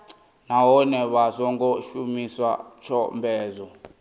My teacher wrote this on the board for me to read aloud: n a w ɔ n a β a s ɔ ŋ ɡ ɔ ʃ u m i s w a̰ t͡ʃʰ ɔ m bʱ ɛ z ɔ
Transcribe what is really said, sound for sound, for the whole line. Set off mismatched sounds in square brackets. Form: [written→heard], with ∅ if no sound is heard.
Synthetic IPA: n a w ɔ n [a→ɛ] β a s ɔ ŋ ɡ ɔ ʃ u m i s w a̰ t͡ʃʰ ɔ m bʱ [ɛ→ɛː] z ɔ